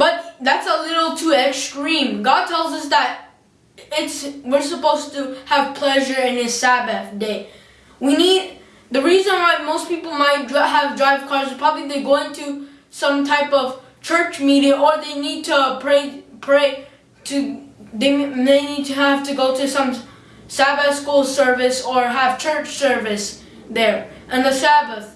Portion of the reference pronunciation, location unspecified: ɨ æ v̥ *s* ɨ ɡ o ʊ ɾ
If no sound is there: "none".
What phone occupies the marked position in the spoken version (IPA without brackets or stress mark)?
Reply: t